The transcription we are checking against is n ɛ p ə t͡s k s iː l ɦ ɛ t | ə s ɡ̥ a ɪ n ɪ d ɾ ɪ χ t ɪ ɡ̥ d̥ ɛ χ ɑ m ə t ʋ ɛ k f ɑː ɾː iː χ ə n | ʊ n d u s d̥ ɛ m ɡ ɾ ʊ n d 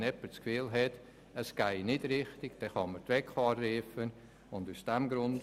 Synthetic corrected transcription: n ɛ p ə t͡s k f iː l ɦ ɛ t | ə s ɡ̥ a ɪ n ɪ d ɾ ɪ χ t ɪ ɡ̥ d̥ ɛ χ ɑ m ə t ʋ ɛ k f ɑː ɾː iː f ə n | ʊ n d u s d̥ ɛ m ɡ ɾ ʊ n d

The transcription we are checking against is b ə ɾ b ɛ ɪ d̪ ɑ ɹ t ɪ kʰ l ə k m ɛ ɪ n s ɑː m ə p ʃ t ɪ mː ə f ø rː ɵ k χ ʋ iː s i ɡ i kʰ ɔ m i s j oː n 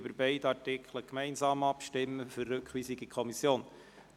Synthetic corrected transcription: b ə ɾ b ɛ ɪ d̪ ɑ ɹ t ɪ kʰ l ə k m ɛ ɪ n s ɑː m ɑ p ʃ t ɪ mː ə f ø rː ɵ k χ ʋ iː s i ɡ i kʰ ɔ m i s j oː n

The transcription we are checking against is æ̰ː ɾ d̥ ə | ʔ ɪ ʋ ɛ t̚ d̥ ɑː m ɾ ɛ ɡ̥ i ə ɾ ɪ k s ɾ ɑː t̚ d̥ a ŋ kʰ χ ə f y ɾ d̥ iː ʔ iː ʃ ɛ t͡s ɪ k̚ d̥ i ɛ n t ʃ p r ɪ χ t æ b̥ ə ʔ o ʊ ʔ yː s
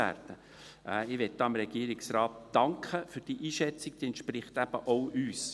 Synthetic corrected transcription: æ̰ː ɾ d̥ ə | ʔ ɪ ʋ ɛ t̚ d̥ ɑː m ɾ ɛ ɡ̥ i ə ɾ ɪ k s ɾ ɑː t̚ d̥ ɑ ŋ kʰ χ ə f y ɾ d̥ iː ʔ iː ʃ ɛ t͡s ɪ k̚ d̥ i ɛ n t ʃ p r ɪ χ t æ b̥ ə ʔ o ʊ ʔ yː s

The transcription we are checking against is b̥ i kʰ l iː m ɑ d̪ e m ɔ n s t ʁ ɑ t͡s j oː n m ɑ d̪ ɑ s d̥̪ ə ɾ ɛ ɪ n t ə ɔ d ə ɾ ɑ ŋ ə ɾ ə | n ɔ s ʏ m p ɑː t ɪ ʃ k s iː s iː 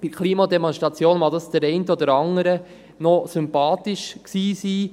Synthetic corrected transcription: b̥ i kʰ l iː m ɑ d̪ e m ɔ n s t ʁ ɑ t͡s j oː n m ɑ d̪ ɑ s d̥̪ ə ɾ ɛ ɪ n t ə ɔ d ə ɾ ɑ ŋ ə ɾ ə | n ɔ s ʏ m p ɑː t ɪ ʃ k s iː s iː

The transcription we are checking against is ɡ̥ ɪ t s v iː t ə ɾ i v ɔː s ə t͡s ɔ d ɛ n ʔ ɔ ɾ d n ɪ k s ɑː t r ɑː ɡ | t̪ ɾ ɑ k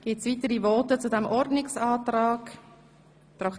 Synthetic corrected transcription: ɡ̥ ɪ t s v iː t ə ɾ i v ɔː t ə t͡s u d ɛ m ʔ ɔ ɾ d n ɪ k s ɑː t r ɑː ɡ | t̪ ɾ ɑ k

